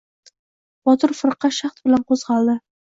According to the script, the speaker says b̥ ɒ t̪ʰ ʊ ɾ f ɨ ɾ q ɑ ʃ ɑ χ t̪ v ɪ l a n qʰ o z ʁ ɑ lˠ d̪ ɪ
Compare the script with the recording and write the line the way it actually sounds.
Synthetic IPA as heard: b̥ ɒ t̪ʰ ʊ ɾ f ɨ ɾ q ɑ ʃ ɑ χ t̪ b ɪ l a n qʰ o z ʁ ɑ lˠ d̪ ɪ